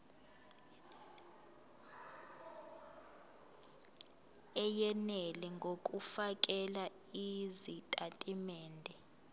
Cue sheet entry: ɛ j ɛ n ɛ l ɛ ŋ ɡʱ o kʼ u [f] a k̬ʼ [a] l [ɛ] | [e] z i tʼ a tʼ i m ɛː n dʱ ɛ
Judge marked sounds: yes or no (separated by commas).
yes, no, no, no